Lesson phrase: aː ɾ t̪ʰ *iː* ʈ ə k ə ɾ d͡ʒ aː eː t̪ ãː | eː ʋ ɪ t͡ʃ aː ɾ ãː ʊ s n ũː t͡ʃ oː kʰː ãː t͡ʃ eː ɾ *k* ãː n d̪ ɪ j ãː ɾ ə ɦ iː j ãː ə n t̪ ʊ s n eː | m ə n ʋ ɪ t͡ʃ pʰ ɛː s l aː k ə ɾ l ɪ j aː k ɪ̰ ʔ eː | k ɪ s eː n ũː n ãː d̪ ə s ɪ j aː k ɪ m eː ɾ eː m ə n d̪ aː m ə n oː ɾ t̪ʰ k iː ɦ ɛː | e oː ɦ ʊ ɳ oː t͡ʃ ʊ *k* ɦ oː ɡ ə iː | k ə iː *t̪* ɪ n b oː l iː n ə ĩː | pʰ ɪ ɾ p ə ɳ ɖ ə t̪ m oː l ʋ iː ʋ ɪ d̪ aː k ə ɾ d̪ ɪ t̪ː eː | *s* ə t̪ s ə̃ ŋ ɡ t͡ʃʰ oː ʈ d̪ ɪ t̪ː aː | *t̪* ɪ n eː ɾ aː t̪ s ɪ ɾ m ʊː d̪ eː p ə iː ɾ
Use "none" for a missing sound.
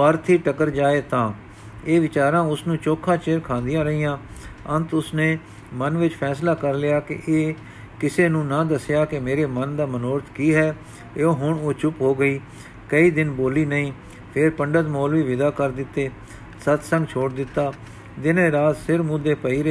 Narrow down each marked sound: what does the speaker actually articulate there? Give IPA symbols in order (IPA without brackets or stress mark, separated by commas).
iː, kʰ, p, d̪, s, d̪